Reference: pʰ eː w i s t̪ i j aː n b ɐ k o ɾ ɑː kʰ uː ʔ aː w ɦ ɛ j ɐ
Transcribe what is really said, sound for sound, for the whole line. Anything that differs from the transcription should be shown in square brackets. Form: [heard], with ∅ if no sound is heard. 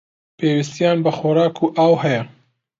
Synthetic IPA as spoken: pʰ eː w i s t̪ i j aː n b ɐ [x] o ɾ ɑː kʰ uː ʔ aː w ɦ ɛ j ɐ